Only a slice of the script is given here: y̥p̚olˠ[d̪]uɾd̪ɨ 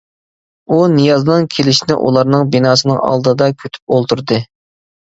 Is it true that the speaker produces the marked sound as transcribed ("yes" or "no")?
no